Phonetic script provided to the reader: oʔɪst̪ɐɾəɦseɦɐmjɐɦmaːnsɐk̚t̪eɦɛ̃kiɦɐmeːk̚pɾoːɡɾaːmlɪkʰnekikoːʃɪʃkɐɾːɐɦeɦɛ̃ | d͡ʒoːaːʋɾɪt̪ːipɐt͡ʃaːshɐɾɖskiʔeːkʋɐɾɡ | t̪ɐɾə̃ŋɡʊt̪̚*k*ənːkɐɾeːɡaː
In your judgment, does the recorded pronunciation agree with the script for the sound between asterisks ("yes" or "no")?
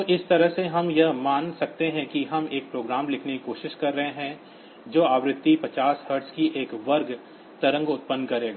no